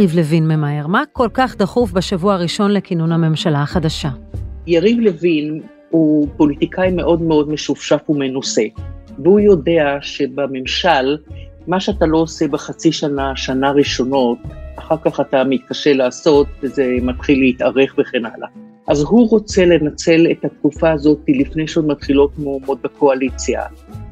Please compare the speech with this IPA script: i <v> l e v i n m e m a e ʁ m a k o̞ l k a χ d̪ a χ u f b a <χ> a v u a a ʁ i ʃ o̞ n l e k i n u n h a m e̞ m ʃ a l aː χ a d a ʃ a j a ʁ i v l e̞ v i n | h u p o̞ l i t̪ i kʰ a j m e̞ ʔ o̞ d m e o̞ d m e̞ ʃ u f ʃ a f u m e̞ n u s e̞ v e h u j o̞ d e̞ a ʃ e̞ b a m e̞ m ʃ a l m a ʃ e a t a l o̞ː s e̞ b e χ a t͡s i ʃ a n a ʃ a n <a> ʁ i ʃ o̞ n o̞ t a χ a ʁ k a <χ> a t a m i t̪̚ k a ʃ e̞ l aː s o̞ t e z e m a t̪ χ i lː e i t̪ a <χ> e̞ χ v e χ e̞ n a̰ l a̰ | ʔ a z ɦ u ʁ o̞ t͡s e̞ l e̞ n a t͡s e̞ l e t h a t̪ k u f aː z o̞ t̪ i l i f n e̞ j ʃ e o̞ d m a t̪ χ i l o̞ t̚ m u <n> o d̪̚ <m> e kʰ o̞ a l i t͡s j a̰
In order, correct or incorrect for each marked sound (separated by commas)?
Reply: correct, incorrect, correct, correct, incorrect, incorrect, incorrect